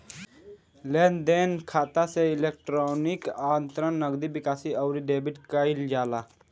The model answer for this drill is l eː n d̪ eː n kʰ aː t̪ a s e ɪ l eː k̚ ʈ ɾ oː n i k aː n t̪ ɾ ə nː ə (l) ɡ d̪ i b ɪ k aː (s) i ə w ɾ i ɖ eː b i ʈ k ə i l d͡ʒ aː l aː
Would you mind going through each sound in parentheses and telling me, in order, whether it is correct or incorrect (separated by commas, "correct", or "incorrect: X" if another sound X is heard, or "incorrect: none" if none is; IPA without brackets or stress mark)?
incorrect: none, correct